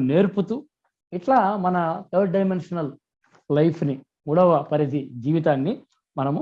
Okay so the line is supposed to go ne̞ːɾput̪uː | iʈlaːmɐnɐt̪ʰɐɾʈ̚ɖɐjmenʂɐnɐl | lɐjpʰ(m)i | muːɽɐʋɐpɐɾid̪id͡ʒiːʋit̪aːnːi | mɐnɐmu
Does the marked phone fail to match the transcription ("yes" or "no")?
yes